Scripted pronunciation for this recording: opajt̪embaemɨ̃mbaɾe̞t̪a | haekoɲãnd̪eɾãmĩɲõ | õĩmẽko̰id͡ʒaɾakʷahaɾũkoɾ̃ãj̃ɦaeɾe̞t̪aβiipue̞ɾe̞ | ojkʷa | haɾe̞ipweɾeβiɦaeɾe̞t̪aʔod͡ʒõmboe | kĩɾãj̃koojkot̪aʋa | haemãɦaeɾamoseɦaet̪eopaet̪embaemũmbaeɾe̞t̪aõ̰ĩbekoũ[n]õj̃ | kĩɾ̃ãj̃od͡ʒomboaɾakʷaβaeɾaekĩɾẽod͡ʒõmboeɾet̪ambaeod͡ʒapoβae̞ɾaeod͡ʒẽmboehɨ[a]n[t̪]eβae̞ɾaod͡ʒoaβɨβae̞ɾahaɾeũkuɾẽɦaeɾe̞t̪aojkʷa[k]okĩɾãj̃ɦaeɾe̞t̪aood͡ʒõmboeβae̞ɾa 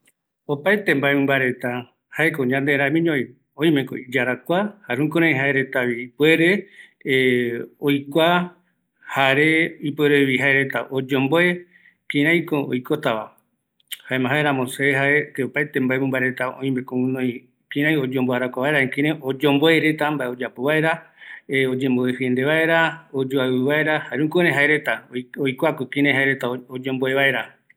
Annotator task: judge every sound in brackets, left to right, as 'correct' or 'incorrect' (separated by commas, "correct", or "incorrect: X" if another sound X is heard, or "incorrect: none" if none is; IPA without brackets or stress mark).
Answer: correct, incorrect: e, incorrect: d̪, correct